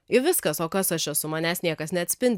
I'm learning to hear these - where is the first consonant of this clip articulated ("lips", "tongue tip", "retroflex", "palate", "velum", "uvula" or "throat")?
lips